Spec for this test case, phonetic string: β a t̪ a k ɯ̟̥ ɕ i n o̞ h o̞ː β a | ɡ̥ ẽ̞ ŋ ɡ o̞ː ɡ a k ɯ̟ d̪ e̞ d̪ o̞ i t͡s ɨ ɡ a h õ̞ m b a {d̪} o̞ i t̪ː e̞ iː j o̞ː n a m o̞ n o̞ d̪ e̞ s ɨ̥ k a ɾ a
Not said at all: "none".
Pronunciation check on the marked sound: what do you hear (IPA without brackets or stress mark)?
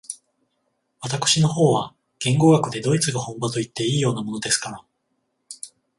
t̪